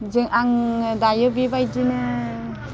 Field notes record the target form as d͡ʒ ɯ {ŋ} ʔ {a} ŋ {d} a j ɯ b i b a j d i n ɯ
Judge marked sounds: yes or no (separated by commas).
yes, yes, yes